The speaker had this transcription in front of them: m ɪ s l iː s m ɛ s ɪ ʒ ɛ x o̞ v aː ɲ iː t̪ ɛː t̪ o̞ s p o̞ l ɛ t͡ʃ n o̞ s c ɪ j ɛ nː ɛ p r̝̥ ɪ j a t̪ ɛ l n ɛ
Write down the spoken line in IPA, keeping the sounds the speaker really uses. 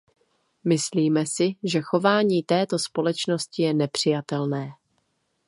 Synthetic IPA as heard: m ɪ s l iː m ɛ s ɪ ʒ ɛ x o̞ v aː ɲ iː t̪ ɛː t̪ o̞ s p o̞ l ɛ t͡ʃ n o̞ s c ɪ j ɛ n ɛ p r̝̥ ɪ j a t̪ ɛ l n ɛː

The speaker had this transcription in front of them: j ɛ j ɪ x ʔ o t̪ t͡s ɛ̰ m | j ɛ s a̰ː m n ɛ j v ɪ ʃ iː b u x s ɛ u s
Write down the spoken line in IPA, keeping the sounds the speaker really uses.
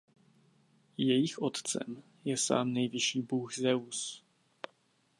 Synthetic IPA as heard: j ɛ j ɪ x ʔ o t̪ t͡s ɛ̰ m | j ɛ s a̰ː m n ɛ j v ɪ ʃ iː b u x z ɛ u s

